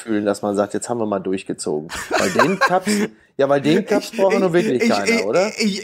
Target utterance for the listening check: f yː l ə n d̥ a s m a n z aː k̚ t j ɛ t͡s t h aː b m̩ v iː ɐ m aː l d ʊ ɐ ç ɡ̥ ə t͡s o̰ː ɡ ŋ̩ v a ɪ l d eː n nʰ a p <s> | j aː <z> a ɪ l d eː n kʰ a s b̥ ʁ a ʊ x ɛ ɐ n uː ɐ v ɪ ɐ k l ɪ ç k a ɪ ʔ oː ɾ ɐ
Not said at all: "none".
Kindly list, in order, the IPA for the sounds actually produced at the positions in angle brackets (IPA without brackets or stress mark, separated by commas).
s, v